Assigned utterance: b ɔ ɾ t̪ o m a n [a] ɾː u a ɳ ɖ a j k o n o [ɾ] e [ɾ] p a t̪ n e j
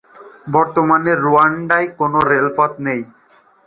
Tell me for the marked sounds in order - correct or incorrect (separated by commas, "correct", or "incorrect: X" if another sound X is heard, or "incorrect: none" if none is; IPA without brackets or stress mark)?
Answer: incorrect: e, correct, incorrect: l